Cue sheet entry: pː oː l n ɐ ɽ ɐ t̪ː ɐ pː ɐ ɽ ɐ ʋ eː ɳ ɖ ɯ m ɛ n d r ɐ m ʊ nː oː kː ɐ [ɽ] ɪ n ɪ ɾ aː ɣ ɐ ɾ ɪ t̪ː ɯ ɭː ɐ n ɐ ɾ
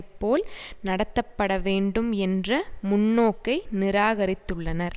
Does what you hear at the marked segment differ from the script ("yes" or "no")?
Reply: yes